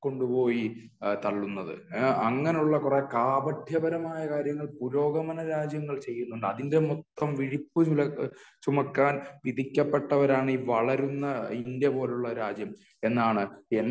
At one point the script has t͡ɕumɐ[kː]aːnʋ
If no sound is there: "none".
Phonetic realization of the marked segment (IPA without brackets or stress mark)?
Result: kː